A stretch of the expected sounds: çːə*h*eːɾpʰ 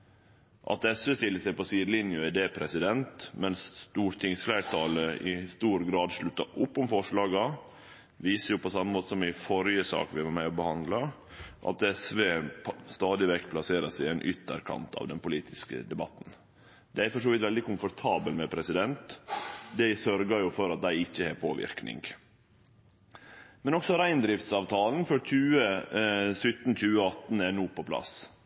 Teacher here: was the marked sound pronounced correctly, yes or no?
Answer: yes